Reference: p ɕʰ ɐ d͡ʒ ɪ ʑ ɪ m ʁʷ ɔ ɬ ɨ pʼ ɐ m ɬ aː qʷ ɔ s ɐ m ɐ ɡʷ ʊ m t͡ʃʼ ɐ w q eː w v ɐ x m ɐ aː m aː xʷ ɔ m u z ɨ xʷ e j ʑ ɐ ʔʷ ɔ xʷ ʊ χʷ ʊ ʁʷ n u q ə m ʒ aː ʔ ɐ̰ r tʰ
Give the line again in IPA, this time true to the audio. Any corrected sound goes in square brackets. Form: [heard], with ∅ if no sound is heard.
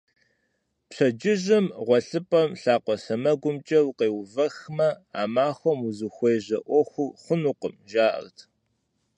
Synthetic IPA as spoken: p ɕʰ ɐ d͡ʒ ɪ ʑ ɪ m ʁʷ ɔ ɬ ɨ pʼ ɐ m ɬ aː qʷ ɔ s ɐ m ɐ ɡʷ ʊ m t͡ʃʼ ɐ w q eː w v ɐ x m ɐ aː m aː xʷ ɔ m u z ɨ xʷ e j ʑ ɐ ʔʷ ɔ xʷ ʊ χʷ ʊ [∅] n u q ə m ʒ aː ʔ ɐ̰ r tʰ

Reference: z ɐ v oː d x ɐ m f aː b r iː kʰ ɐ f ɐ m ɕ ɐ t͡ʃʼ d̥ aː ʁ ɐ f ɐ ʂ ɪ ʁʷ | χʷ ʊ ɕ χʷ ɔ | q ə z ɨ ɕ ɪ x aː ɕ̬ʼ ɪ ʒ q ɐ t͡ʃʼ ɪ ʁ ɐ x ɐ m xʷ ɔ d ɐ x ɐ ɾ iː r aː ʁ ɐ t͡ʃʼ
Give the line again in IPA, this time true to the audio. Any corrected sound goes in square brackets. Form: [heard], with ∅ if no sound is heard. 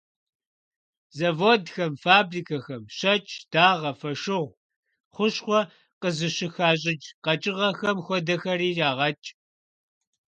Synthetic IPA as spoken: z ɐ v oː d x ɐ m f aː b r iː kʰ ɐ [x] ɐ m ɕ ɐ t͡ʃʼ d̥ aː ʁ ɐ f ɐ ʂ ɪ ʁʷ | χʷ ʊ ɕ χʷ ɔ | q ə z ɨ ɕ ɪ x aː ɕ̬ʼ ɪ [d͡ʒ] q ɐ t͡ʃʼ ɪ ʁ ɐ x ɐ m xʷ ɔ d ɐ x ɐ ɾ iː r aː ʁ ɐ t͡ʃʼ

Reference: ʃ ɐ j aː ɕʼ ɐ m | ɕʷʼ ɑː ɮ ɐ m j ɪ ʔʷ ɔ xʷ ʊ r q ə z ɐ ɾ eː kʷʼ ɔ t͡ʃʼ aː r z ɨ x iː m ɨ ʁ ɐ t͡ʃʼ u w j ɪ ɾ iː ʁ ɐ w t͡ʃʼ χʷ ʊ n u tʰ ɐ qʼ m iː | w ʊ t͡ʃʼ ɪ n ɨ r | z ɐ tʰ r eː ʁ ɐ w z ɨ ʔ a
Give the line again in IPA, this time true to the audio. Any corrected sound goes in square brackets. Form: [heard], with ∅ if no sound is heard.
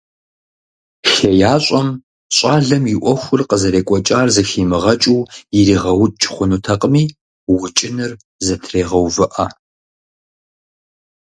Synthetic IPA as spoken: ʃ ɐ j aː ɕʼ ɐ m | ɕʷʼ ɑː ɮ ɐ m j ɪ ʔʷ ɔ xʷ ʊ r q ə z ɐ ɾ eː kʷʼ ɔ t͡ʃʼ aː r z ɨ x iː m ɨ ʁ ɐ t͡ʃʼ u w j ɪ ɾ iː ʁ ɐ w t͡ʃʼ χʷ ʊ n u tʰ ɐ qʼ m iː | w ʊ t͡ʃʼ ɪ n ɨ r | z ɐ tʰ r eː ʁ ɐ w [v] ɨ ʔ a

